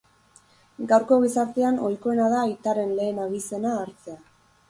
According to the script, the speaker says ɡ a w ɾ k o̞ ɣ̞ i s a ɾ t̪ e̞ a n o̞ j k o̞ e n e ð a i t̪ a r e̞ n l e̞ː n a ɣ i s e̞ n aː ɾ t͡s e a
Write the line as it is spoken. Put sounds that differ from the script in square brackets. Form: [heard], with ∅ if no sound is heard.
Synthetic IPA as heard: ɡ a w ɾ k o̞ ɣ̞ i s a ɾ t̪ e̞ a n o̞ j k o̞ e n [a] ð a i t̪ a [ɾ] e̞ n l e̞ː n a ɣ i s e̞ n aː ɾ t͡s e a